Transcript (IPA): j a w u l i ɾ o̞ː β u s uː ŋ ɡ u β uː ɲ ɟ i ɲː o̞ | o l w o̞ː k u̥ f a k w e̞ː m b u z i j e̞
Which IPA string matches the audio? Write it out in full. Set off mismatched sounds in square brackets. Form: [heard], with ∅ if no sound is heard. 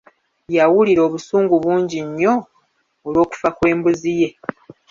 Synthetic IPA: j a w u l i ɾ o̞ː β u s uː ŋ ɡ u β uː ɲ ɟ i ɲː o̞ | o l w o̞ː k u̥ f a k w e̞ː m b u z i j e̞